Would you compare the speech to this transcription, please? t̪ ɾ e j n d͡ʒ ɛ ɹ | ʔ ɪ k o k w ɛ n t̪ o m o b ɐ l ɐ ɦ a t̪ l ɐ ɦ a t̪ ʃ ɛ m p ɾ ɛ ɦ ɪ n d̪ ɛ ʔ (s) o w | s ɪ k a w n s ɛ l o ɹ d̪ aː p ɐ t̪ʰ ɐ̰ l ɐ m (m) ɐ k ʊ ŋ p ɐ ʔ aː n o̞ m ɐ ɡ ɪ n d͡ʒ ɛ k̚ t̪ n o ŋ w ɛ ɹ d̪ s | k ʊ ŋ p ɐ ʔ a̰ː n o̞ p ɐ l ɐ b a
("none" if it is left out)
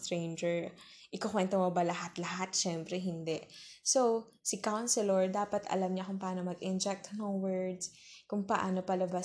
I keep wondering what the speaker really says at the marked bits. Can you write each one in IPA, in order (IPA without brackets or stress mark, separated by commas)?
s, ɲ